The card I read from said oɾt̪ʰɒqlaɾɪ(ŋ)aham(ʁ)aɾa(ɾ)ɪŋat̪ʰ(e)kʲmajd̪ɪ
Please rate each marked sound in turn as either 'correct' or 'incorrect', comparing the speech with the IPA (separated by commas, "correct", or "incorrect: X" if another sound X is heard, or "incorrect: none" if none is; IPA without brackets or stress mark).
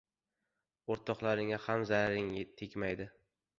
correct, incorrect: z, correct, correct